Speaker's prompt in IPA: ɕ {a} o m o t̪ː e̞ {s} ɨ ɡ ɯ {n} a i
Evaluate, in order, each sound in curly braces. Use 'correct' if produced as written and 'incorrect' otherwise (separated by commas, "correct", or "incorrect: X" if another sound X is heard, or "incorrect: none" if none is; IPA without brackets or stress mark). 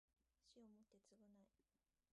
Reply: incorrect: i, incorrect: t͡s, correct